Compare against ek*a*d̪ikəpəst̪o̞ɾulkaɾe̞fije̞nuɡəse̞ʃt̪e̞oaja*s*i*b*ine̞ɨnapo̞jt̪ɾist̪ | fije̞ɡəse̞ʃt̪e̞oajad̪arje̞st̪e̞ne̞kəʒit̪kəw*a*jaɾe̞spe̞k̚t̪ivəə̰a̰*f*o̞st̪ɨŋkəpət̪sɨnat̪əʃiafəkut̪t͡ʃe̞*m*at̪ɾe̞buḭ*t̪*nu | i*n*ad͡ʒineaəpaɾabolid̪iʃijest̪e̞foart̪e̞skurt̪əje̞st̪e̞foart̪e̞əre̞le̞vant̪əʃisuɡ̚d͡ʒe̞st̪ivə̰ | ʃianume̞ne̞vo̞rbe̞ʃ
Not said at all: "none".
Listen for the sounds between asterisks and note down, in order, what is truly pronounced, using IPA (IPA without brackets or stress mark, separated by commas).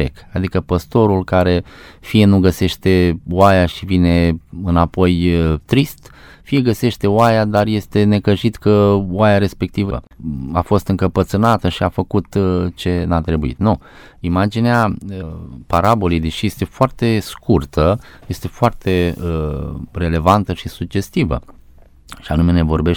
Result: a, ʃ, v, a, f, n, t̪, m